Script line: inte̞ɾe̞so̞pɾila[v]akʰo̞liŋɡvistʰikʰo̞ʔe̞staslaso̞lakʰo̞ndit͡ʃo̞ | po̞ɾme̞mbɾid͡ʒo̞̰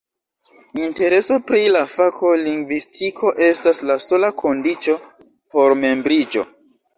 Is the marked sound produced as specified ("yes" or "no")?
no